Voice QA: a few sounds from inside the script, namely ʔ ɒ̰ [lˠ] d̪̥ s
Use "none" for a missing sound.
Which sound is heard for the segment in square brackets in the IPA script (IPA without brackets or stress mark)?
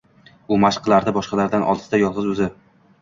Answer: lˠ